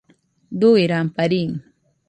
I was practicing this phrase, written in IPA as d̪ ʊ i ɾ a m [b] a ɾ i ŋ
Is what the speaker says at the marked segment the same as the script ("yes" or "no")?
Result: no